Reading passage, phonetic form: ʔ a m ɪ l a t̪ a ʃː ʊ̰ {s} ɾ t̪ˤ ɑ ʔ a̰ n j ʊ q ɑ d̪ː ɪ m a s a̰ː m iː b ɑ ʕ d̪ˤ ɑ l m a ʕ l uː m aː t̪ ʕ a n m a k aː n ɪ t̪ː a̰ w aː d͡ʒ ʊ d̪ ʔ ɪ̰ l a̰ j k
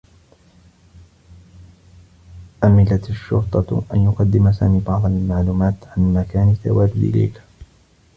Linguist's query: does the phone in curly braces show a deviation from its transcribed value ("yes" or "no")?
yes